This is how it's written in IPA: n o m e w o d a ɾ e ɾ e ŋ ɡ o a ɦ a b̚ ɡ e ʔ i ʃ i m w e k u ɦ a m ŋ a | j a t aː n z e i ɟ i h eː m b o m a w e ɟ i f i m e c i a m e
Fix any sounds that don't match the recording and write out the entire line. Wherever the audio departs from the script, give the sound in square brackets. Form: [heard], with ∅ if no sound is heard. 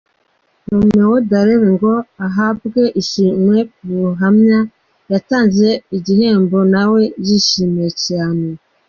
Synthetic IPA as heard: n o m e w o d a ɾ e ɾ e ŋ ɡ o a ɦ a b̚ ɡ e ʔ i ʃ i m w e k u ɦ a m [ɲ] a | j a t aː n z e i ɟ i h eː m b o [n] a w e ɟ i [ʃ] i m e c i a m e